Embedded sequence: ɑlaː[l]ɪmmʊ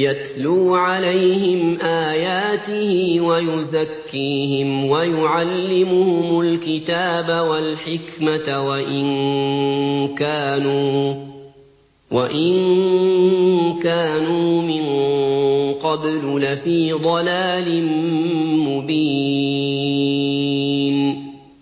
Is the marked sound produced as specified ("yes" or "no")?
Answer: yes